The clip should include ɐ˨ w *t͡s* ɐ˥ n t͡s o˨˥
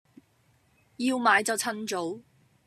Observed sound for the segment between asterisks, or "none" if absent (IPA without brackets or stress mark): t͡sʰ